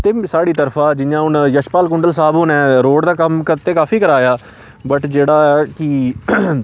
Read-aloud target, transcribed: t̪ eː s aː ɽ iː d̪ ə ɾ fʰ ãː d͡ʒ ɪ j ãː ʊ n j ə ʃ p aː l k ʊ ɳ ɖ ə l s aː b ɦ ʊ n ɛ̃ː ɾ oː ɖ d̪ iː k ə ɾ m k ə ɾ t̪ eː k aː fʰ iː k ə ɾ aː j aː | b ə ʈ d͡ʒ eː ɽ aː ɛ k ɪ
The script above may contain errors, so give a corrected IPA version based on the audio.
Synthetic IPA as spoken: t̪ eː s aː ɽ iː t̪ ə ɾ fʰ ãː d͡ʒ ɪ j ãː ʊ n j ə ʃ p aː l k ʊ ɳ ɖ ə l s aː b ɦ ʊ n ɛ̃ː ɾ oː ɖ d̪ aː k ə m k ə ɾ t̪ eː k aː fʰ iː k ə ɾ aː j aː | b ə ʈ d͡ʒ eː ɽ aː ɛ k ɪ